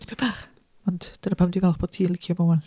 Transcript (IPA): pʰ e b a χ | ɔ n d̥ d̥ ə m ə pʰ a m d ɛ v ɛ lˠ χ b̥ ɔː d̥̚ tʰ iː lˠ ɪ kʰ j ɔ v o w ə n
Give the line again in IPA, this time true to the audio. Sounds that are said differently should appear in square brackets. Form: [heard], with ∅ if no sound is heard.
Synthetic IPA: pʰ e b a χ | ɔ n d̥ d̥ ə [n] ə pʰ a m d [i] v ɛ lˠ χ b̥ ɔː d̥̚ tʰ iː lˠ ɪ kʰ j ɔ v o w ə n